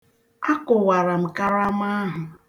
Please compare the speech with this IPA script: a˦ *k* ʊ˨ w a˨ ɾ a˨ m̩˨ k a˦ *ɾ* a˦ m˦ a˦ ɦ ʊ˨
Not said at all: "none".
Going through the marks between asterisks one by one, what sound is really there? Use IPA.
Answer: k, ɾ

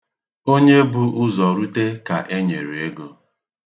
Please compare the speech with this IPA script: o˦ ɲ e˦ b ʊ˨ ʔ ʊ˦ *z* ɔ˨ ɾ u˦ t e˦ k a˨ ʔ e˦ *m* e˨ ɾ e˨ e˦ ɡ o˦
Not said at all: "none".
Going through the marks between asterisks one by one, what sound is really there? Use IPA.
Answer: z, ɲ

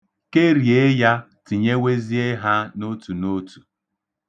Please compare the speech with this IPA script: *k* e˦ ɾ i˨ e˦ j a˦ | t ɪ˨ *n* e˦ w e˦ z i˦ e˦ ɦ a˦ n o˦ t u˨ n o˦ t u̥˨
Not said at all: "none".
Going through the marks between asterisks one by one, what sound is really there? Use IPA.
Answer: k, ɲ

